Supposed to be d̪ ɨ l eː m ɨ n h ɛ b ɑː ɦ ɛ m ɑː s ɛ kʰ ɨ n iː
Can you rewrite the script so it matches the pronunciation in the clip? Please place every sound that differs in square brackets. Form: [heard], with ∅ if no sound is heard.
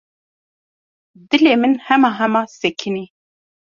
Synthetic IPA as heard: d̪ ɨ l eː m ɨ n h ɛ [m] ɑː ɦ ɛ m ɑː s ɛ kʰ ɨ n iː